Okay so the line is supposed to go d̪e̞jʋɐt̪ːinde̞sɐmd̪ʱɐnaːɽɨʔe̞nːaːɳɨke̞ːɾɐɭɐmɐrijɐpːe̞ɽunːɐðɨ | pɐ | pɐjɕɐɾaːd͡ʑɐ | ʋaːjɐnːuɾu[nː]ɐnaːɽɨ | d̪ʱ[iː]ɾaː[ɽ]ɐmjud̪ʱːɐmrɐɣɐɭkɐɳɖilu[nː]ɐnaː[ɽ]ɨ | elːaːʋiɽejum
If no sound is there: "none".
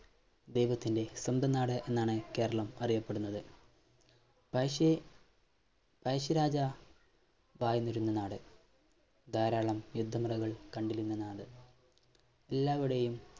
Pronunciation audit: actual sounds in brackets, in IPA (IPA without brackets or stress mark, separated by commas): nː, aː, ɭ, nː, ɽ